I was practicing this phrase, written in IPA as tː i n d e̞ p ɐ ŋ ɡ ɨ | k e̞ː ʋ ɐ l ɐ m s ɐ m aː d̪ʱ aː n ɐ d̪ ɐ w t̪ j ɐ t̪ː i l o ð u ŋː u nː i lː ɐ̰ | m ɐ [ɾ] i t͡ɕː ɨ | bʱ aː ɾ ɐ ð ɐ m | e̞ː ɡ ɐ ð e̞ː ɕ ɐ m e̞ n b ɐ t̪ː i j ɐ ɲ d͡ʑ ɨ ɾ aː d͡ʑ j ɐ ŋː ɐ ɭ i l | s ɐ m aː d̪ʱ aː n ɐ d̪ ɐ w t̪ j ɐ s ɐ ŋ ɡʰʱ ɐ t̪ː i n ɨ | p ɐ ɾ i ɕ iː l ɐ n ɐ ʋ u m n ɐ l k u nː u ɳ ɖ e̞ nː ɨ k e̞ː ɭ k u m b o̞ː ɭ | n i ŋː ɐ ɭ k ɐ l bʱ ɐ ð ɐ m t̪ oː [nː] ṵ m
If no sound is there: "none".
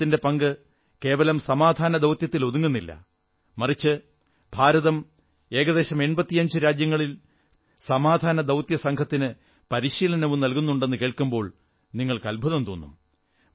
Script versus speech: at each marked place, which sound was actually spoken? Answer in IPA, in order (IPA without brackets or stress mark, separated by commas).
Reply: r, nː